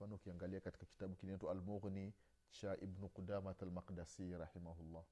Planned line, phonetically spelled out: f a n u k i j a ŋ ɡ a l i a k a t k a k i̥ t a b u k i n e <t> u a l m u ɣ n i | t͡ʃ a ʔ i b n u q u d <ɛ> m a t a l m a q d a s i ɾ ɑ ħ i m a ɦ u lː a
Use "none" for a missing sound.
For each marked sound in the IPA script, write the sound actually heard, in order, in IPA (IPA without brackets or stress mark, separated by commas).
t, a